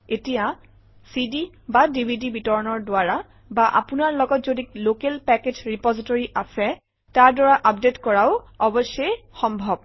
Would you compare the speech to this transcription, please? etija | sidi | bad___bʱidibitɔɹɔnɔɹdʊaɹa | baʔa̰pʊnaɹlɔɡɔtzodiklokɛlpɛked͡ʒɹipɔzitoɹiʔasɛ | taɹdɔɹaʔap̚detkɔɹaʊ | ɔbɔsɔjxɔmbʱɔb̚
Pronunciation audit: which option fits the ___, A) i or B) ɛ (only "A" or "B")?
A